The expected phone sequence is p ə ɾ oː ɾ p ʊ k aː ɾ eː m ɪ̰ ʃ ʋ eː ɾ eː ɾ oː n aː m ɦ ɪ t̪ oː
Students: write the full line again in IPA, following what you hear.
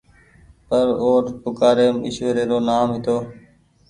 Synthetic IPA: p ə ɾ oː ɾ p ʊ k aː ɾ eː m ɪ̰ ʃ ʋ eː ɾ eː ɾ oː n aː m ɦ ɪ t̪ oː